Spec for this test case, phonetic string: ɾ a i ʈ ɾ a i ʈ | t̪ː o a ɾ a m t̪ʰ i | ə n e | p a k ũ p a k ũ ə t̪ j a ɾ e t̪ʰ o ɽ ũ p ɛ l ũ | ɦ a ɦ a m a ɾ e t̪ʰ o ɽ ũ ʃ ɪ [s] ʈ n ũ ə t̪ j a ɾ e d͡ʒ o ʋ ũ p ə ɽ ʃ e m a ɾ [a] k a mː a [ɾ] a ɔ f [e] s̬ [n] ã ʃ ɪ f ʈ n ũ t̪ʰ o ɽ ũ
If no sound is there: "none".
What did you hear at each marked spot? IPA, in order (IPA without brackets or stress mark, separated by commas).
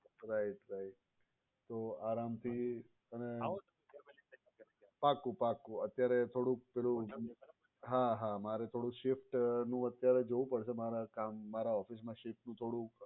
f, a, ɾ, i, m